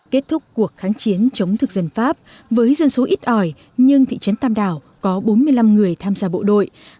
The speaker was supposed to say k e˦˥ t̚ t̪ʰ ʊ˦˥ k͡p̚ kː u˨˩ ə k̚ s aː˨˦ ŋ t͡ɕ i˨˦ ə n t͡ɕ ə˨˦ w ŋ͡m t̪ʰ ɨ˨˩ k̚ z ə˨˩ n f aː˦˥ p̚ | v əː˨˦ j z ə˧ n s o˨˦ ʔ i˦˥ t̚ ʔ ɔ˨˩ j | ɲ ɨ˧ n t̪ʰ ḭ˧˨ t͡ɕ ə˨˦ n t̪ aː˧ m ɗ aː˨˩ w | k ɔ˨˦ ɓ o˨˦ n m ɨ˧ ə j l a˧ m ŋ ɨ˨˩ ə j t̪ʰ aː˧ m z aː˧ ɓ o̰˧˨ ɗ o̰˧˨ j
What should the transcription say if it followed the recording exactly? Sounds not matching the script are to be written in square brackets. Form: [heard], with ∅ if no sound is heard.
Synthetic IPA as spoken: k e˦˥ t̚ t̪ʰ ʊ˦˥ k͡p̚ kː u˨˩ ə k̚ [x] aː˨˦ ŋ t͡ɕ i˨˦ ə n t͡ɕ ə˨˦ w ŋ͡m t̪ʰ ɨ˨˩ k̚ z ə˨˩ n f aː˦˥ p̚ | v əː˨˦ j z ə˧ n s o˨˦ ʔ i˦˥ t̚ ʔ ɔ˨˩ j | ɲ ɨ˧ [ŋ] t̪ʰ ḭ˧˨ t͡ɕ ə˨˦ n t̪ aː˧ m ɗ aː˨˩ w | k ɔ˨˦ ɓ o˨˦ n m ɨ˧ ə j l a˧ m ŋ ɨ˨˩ ə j t̪ʰ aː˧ m z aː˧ ɓ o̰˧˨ ɗ o̰˧˨ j